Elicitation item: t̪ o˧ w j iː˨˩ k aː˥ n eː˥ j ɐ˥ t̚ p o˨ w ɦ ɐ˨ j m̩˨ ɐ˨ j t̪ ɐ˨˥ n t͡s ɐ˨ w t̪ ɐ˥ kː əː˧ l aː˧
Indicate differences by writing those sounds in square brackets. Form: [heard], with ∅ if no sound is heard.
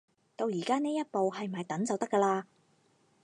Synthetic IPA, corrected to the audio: t̪ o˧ w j iː˨˩ k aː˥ n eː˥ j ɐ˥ t̚ p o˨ w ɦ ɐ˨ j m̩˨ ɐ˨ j t̪ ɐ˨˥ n t͡s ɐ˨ w t̪ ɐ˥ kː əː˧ l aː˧